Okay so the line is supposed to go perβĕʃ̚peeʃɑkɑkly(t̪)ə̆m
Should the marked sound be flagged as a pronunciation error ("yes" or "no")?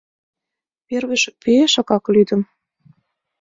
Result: yes